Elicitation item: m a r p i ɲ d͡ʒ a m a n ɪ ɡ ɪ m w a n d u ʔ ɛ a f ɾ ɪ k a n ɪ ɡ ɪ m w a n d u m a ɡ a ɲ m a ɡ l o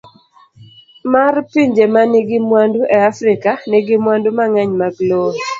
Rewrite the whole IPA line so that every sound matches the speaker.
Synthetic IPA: m a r p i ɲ d͡ʒ e m a n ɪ ɡ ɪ m w a n d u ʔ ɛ a f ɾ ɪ k a n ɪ ɡ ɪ m w a n d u m a ŋ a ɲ m a ɡ l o